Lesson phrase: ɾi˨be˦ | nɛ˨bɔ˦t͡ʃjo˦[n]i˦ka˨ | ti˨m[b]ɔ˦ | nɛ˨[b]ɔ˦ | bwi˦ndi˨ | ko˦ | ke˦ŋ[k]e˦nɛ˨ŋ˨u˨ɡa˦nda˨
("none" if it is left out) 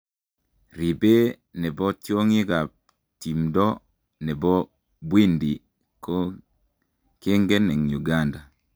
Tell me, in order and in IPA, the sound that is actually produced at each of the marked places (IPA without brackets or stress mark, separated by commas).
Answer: ŋ, d, b, ɡ